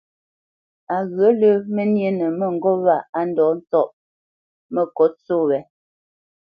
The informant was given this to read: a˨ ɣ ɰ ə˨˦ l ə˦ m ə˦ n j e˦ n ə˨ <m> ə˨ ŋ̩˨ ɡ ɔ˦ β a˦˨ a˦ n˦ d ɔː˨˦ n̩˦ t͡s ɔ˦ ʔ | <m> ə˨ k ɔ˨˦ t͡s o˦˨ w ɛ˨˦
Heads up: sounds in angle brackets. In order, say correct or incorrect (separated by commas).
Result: correct, correct